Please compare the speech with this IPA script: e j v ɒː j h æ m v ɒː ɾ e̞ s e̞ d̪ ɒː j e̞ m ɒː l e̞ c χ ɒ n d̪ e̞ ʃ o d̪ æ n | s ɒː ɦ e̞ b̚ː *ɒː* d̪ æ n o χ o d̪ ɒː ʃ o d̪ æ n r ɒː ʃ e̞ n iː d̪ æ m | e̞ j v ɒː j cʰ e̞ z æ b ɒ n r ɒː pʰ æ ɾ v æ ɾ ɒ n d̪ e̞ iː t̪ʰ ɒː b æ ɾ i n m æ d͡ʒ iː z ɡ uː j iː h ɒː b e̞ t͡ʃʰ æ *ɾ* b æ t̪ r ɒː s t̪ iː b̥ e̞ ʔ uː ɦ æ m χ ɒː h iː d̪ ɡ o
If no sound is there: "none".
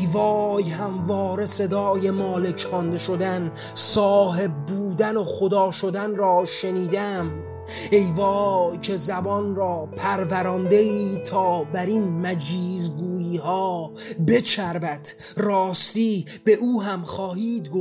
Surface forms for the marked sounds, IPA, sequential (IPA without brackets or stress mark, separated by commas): uː, ɾ